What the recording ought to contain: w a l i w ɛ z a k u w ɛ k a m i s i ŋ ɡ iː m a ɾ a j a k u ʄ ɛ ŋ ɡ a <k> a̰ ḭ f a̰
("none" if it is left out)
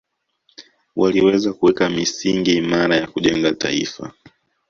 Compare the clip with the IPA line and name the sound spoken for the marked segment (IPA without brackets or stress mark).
t